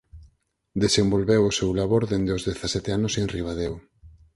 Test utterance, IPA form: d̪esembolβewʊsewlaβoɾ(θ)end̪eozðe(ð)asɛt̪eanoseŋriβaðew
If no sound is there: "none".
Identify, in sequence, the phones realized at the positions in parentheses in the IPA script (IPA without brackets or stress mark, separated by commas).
ð, θ